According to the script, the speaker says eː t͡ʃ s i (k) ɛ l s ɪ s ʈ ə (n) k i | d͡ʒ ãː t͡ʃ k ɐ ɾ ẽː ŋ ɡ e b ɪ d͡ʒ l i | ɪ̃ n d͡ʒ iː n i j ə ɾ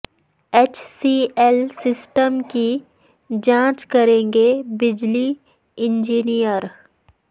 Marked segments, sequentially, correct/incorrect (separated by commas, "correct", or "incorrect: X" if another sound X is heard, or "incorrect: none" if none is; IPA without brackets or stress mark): incorrect: none, incorrect: m